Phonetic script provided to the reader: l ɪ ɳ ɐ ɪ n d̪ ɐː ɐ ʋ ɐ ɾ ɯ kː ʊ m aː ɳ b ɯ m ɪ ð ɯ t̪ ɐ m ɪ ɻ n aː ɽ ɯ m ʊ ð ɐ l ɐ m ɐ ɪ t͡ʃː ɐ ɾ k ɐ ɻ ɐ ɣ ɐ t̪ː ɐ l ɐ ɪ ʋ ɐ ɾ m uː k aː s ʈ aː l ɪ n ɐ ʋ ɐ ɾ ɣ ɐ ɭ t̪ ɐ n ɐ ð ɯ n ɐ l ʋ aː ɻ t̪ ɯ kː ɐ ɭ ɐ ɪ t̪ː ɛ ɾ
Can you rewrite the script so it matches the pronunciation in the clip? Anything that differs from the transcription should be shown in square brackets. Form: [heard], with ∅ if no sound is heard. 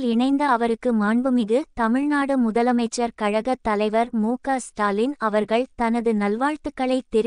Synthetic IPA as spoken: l ɪ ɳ ɐ ɪ n d̪ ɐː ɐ ʋ ɐ ɾ ɯ kː [ɯ] m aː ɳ b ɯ m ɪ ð ɯ t̪ ɐ m ɪ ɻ n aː ɽ ɯ m ʊ ð ɐ l ɐ m ɐ ɪ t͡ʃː ɐ ɾ k ɐ ɻ ɐ ɣ ɐ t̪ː ɐ l ɐ ɪ ʋ ɐ ɾ m uː k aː s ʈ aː l ɪ n ɐ ʋ ɐ ɾ ɣ ɐ ɭ t̪ ɐ n ɐ ð ɯ n ɐ l ʋ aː ɻ t̪ ɯ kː ɐ ɭ ɐ ɪ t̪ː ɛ ɾ